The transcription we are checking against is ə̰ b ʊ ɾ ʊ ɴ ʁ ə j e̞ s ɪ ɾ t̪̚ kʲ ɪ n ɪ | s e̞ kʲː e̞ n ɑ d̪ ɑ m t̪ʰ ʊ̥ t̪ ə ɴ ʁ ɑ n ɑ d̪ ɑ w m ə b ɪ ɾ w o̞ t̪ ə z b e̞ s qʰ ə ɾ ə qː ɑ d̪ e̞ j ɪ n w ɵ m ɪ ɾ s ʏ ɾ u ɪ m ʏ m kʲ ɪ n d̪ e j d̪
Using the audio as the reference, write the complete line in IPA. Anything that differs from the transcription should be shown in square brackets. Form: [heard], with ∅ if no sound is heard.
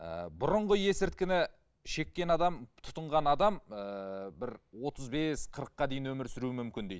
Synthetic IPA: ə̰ b ʊ ɾ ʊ ɴ ʁ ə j e̞ s ɪ ɾ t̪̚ kʲ ɪ n ɪ | [ʃ] e̞ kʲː e̞ n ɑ d̪ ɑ m t̪ʰ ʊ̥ t̪ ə ɴ ʁ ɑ n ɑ d̪ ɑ [∅] m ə b ɪ ɾ w o̞ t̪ ə z b e̞ s qʰ ə ɾ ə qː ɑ d̪ e̞ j ɪ n w ɵ m ɪ ɾ s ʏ ɾ u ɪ m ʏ m kʲ ɪ n d̪ e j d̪